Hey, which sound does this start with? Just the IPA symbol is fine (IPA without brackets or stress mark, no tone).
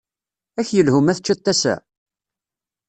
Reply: æ